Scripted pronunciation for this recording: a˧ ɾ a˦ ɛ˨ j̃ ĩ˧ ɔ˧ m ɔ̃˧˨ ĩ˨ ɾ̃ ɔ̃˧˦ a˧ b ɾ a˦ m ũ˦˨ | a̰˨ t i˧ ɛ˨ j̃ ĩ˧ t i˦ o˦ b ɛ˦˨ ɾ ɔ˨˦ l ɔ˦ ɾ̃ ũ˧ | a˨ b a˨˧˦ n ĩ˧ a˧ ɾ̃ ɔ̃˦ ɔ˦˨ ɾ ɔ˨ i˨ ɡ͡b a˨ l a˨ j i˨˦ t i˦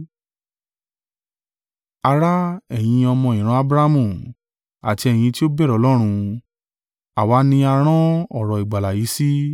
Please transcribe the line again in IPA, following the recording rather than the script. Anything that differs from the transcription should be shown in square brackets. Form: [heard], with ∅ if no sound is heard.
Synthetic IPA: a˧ ɾ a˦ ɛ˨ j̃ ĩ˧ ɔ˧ m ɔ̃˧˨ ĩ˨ ɾ̃ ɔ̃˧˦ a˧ b ɾ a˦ m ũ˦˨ | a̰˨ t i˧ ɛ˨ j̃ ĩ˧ t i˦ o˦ b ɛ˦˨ ɾ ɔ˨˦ l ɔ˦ ɾ̃ ũ˧ | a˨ [w] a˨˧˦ n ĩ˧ a˧ ɾ̃ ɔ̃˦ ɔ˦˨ ɾ ɔ˨ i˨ ɡ͡b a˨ l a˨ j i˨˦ [s] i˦